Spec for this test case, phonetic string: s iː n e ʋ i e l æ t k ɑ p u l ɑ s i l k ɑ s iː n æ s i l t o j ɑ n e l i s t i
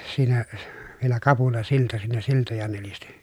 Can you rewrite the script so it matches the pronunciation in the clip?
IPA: s iː n æ ʋ i e l æ k ɑ p u l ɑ s i l t ɑ s iː n æ s i l t o j ɑ n e l i s t i